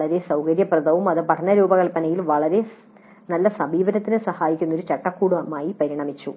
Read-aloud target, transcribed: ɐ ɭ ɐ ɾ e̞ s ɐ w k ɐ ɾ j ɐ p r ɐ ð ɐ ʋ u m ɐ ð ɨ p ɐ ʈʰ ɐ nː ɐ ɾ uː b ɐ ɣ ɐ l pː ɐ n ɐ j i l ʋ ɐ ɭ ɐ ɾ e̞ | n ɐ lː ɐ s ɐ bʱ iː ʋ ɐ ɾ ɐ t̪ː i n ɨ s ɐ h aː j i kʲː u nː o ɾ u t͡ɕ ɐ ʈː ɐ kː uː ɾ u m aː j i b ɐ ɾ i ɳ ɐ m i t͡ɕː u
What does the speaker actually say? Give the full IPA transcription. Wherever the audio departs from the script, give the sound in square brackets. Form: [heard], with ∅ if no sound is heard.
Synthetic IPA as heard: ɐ ɭ ɐ ɾ e̞ s ɐ w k ɐ ɾ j ɐ p r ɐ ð ɐ ʋ u m ɐ ð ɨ p ɐ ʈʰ ɐ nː ɐ ɾ uː b ɐ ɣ ɐ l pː ɐ n ɐ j i l ʋ ɐ ɭ ɐ ɾ e̞ | n ɐ lː ɐ s ɐ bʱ iː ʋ ɐ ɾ ɐ t̪ː i n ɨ s ɐ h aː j i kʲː u nː o ɾ u t͡ɕ ɐ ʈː ɐ kː uː [ɽ] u m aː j i [p] ɐ ɾ i ɳ ɐ m i t͡ɕː u

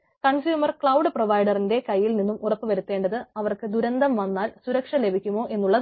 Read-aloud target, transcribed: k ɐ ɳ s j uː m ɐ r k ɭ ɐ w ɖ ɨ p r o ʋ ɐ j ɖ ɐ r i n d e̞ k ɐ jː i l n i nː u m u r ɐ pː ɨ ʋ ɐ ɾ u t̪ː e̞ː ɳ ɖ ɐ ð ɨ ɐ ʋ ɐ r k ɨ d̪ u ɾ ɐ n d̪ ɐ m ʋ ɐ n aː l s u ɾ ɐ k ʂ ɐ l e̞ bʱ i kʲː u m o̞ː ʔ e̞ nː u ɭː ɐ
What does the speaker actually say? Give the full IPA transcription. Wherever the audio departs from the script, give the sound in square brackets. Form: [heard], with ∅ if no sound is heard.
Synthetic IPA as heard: k ɐ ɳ s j uː m ɐ r k ɭ ɐ w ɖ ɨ p r o ʋ ɐ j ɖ ɐ r i n d e̞ k ɐ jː i l n i nː u m u r ɐ pː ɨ ʋ ɐ ɾ u t̪ː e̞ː ɳ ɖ ɐ ð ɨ ɐ ʋ ɐ r k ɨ d̪ u ɾ ɐ n d̪ ɐ m ʋ ɐ [nː] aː l s u ɾ ɐ k ʂ ɐ l e̞ bʱ i kʲː u m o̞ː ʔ e̞ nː u ɭː ɐ

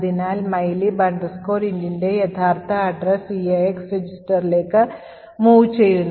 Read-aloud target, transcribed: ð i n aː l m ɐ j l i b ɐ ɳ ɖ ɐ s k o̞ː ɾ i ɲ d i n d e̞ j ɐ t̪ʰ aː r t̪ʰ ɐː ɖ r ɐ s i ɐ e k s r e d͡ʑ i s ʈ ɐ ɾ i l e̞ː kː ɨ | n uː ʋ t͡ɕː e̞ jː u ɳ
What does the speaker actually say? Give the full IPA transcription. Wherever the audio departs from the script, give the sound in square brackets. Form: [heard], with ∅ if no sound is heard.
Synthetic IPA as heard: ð i n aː l m ɐ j l i b ɐ ɳ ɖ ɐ s k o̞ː ɾ i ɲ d i n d e̞ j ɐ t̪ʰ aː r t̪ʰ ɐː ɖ r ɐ s i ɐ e k s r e d͡ʑ i s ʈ ɐ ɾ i l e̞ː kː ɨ | [m] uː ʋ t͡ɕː e̞ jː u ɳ

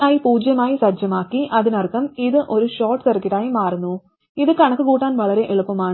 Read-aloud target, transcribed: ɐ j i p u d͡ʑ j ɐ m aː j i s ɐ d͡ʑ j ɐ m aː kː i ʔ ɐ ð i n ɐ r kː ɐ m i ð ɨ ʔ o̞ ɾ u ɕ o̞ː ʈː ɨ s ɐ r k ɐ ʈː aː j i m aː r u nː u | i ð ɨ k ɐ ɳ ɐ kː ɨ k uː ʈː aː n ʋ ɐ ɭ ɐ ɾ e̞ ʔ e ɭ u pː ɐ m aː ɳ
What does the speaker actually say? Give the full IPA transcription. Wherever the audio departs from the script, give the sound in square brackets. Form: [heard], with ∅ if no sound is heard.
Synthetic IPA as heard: ɐ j i p [uː] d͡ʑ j ɐ m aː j i s ɐ d͡ʑ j ɐ m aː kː i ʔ ɐ ð i n ɐ r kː ɐ m i ð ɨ ʔ o̞ ɾ u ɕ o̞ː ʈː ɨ s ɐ r k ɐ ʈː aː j i m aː r u nː u | i ð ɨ k ɐ ɳ ɐ kː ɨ k uː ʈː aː n ʋ ɐ ɭ ɐ ɾ e̞ ʔ e ɭ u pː ɐ m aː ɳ

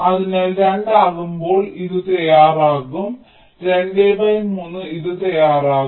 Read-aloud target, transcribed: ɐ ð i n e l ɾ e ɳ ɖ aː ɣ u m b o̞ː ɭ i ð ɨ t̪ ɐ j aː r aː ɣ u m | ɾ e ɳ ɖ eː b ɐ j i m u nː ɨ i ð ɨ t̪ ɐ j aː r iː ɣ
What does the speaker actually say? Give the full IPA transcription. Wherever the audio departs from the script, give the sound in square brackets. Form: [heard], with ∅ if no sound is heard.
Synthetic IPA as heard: ɐ ð i n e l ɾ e ɳ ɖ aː ɣ u m b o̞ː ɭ i ð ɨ t̪ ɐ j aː r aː ɣ u m | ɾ e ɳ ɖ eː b ɐ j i m u nː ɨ i ð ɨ t̪ ɐ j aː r [aː] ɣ

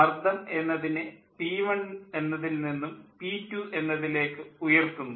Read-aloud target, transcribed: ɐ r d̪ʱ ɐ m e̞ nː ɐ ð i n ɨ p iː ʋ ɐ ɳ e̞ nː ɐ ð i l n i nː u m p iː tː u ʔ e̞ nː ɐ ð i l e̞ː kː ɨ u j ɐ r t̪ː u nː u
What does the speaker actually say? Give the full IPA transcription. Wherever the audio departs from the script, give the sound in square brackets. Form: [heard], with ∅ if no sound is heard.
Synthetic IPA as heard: ɐ r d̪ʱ ɐ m e̞ nː ɐ ð i n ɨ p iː ʋ ɐ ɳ e̞ nː ɐ ð i l n i nː u m p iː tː u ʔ e̞ nː ɐ ð i l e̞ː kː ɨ u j ɐ r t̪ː u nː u

